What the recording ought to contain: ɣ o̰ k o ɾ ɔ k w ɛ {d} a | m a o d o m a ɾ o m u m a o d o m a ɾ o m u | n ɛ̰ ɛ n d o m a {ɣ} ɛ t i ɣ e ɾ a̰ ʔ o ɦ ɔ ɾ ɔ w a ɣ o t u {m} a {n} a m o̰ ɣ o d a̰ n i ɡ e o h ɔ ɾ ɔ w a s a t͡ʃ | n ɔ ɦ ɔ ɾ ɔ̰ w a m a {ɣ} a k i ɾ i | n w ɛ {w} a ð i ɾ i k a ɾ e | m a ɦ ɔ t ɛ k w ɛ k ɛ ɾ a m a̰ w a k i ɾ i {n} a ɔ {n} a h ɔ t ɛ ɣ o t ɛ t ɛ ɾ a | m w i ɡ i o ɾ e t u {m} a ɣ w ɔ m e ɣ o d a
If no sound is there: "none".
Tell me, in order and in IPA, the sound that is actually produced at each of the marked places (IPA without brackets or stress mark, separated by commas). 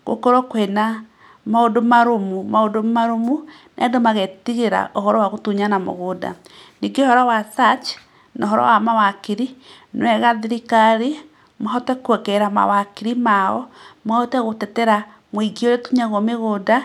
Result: n, ɣ, ɲ, n, w, ɣ, m, m, ɲ